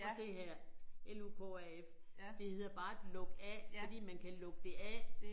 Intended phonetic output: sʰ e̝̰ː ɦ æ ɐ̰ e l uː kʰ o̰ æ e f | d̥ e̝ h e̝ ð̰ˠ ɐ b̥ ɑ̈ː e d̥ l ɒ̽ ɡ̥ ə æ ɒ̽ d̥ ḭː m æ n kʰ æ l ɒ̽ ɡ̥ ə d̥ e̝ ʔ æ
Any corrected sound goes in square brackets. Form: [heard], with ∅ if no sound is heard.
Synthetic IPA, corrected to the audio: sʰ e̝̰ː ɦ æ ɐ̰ e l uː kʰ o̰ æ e f | d̥ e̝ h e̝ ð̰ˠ ɐ b̥ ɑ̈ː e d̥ l [ɔ̽] ɡ̥ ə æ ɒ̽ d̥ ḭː m æ n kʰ æ l [ɔ̽] ɡ̥ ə d̥ e̝ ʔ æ